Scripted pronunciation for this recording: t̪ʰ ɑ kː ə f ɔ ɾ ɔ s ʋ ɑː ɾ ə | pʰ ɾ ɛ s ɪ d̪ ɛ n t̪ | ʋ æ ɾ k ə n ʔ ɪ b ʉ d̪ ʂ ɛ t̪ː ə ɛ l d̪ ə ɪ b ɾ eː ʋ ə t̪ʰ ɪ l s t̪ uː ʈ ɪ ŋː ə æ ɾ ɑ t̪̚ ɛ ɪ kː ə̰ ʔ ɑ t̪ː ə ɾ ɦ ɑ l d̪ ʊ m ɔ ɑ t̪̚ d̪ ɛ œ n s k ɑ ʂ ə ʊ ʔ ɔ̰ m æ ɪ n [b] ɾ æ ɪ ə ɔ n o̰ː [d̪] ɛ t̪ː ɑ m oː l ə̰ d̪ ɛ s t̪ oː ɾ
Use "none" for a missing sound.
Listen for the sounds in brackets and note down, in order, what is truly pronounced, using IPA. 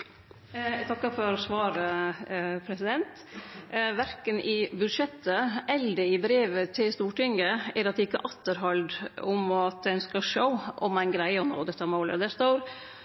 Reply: ɡ, d̪

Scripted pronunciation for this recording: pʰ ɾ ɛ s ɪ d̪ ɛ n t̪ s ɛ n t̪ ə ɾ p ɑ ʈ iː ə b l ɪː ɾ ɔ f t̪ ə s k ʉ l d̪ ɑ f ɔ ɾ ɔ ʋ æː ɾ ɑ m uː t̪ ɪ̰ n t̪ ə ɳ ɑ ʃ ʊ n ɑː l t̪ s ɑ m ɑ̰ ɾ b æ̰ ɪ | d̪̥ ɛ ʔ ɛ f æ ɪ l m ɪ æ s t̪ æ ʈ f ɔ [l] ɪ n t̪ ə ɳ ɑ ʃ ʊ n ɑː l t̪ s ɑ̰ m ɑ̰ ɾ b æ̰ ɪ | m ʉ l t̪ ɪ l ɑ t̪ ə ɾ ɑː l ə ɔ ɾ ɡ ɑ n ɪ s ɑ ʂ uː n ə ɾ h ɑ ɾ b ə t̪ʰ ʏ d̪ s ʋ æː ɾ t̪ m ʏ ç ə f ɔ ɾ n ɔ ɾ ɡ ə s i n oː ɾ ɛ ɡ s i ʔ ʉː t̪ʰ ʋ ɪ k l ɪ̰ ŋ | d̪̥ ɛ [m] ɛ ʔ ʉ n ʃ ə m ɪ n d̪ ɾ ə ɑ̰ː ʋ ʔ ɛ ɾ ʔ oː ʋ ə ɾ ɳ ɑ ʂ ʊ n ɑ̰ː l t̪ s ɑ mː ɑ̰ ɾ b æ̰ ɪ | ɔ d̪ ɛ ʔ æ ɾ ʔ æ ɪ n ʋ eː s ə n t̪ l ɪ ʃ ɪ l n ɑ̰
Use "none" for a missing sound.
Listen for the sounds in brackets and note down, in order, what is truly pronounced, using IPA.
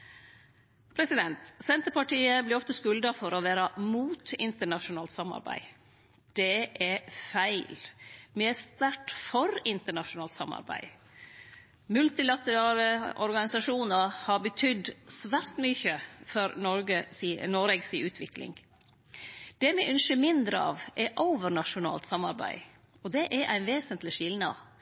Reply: ɾ, m

